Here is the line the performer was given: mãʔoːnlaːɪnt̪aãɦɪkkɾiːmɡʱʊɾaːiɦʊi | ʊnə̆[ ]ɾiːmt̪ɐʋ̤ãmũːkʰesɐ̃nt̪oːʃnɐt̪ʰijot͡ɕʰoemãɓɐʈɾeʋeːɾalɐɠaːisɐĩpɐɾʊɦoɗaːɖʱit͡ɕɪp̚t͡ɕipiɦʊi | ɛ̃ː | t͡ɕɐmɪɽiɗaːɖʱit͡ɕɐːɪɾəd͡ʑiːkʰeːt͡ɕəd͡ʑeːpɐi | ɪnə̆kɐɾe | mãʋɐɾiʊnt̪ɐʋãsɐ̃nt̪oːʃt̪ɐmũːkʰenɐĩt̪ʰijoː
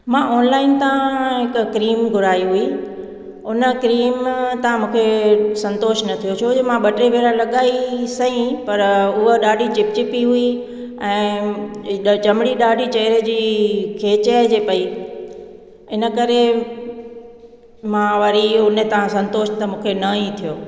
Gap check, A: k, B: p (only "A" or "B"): A